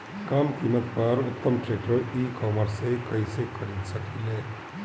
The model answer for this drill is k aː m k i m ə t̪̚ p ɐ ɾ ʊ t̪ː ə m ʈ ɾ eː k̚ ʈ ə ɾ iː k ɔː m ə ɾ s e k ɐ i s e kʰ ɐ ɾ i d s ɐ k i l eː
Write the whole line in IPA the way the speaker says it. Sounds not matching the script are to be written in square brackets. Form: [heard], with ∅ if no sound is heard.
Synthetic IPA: k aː m k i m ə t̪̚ p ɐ ɾ ʊ t̪ː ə m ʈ ɾ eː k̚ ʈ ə ɾ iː k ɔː m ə ɾ s e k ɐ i s e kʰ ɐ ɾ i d s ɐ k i l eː